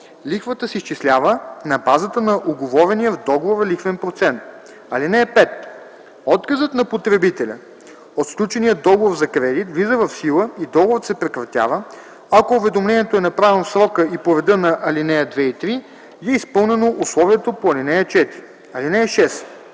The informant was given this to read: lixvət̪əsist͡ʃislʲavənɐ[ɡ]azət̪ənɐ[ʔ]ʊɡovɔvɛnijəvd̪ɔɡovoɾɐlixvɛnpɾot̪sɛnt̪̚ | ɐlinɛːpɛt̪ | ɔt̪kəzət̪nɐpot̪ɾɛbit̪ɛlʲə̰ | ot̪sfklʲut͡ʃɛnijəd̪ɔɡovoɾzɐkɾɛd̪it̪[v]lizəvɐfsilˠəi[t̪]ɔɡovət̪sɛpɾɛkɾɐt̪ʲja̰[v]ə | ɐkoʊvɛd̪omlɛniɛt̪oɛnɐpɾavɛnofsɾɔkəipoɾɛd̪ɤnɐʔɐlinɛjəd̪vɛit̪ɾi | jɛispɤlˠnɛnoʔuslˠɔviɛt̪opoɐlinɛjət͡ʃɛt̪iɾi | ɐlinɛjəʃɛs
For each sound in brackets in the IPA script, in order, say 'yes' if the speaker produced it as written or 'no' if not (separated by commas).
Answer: no, yes, yes, no, yes